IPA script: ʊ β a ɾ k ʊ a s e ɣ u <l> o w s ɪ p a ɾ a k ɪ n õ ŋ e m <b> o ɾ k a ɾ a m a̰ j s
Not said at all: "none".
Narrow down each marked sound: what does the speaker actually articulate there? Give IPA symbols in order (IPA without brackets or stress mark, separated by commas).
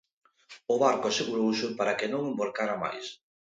ɾ, b